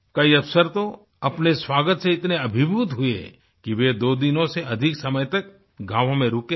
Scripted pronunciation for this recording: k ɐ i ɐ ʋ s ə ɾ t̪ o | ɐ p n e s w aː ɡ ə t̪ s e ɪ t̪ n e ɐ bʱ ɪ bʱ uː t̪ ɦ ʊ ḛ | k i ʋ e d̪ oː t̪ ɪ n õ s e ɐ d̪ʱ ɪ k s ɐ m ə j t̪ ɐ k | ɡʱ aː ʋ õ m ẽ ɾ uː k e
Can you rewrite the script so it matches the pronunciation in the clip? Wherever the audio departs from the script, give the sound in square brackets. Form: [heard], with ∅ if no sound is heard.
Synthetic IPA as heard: k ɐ i ɐ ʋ s ə ɾ t̪ o | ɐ p n e s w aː ɡ ə t̪ s e ɪ t̪ n e ɐ bʱ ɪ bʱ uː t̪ ɦ ʊ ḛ | k i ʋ e d̪ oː [d̪] ɪ n õ s e ɐ d̪ʱ ɪ k s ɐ m ə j t̪ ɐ k | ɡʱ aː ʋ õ m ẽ ɾ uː k e

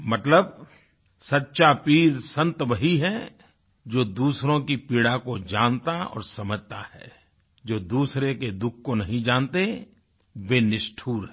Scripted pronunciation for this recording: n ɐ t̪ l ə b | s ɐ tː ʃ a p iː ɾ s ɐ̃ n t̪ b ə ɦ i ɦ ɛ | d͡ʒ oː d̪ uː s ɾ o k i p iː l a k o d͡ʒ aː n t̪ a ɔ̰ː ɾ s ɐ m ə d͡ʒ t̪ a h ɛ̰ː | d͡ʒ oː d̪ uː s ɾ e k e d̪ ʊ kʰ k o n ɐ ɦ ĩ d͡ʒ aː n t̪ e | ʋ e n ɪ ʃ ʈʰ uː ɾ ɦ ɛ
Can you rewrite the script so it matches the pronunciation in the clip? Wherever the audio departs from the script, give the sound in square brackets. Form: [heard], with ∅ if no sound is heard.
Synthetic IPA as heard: [m] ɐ t̪ l ə b | s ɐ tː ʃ a p iː ɾ s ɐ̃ n t̪ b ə ɦ i ɦ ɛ | d͡ʒ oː d̪ uː s ɾ [õ] k i p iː [ɽ] a k o d͡ʒ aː n t̪ a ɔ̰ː ɾ s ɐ m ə d͡ʒ t̪ a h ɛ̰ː | d͡ʒ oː d̪ uː s ɾ e k e d̪ ʊ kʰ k o n ɐ ɦ ĩ d͡ʒ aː n t̪ e | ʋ e n ɪ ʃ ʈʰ uː ɾ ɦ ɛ

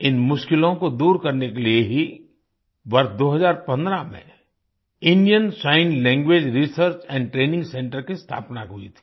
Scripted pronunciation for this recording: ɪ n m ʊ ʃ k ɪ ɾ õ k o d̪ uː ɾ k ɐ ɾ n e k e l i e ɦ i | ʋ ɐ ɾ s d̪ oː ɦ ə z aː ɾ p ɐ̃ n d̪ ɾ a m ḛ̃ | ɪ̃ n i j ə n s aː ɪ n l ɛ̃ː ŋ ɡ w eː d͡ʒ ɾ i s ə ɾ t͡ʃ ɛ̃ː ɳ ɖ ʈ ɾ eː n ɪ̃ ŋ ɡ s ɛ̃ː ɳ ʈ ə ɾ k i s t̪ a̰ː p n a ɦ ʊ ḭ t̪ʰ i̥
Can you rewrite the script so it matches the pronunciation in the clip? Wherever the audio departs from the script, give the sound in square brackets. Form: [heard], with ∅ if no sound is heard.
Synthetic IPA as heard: ɪ n m ʊ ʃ k ɪ [l] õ k o d̪ uː ɾ k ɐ ɾ n e k e l i e ɦ i | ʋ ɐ ɾ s d̪ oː ɦ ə z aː ɾ p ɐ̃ n d̪ ɾ a m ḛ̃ | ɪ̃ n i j ə n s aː ɪ n l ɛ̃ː ŋ ɡ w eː d͡ʒ ɾ i s ə ɾ t͡ʃ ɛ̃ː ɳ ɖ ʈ ɾ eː n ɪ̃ ŋ ɡ s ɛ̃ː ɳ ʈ ə ɾ k i s [t̪ʰ] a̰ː p n a ɦ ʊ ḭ t̪ʰ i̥

